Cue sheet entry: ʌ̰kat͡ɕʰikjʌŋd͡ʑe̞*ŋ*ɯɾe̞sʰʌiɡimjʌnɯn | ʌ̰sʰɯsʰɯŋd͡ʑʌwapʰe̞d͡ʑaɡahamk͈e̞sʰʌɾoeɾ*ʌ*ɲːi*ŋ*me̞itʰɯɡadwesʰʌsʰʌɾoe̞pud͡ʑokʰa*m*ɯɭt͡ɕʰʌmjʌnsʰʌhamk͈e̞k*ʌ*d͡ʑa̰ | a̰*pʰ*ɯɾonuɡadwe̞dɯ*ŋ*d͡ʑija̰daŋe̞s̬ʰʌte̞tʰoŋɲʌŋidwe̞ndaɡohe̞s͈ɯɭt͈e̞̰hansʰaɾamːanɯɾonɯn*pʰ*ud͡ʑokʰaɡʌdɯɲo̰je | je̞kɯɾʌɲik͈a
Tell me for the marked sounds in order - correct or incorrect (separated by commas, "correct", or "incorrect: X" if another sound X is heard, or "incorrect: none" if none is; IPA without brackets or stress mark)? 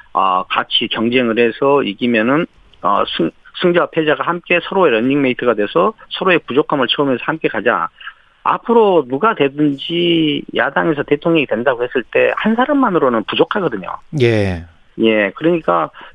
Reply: correct, correct, correct, correct, incorrect: a, correct, incorrect: n, incorrect: p